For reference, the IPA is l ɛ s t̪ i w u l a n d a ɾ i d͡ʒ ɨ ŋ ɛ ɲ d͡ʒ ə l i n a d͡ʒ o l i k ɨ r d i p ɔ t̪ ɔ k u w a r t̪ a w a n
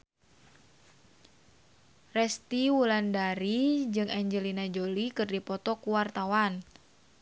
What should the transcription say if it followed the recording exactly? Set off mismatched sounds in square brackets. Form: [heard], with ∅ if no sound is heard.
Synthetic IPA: [r] ɛ s t̪ i w u l a n d a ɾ i d͡ʒ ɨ ŋ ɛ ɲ d͡ʒ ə l i n a d͡ʒ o l i k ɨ r d i p ɔ t̪ ɔ k u w a r t̪ a w a n